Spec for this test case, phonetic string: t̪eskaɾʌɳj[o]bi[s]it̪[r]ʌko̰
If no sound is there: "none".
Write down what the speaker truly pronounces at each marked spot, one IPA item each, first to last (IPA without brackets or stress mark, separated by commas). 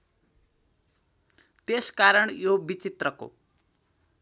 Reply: o, t͡s, r